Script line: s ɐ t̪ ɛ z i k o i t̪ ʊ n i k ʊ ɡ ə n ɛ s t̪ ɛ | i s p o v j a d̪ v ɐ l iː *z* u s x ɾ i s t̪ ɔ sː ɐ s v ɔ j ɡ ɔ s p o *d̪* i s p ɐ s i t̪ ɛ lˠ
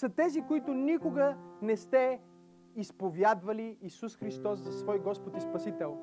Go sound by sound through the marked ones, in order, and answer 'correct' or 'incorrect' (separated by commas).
incorrect, incorrect